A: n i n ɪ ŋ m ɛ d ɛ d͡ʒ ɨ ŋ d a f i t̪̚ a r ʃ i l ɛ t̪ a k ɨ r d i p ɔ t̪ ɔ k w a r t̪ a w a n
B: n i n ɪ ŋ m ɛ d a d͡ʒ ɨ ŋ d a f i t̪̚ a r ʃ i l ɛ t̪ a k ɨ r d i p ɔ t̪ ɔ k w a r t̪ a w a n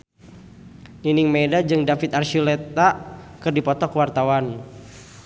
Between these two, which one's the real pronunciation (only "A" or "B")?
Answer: B